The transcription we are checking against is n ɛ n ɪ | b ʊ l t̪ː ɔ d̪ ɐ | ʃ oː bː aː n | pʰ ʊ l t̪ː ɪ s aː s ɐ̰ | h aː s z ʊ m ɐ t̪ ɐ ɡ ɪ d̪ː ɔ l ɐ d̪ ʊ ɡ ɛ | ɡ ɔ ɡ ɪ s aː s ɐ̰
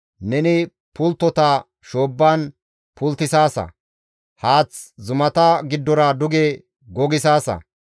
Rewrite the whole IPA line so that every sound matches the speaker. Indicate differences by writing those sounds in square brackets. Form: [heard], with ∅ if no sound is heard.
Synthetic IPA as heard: n ɛ n ɪ | [p] ʊ l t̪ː ɔ [t̪] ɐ | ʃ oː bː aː n | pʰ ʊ l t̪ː ɪ s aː s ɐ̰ | h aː [t͡s] z ʊ m ɐ t̪ ɐ ɡ ɪ d̪ː ɔ [ɾ] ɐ d̪ ʊ ɡ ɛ | ɡ ɔ ɡ ɪ s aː s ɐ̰